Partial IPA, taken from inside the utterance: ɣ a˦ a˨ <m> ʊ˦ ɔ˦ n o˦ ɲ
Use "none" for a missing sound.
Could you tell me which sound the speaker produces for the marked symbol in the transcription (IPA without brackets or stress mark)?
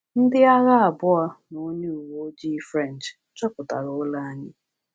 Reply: b